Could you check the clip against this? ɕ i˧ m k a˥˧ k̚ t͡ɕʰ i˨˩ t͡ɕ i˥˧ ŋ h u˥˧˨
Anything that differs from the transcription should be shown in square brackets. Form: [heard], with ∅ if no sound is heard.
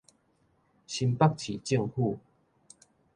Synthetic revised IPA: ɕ i˧ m [p] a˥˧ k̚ t͡ɕʰ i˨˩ t͡ɕ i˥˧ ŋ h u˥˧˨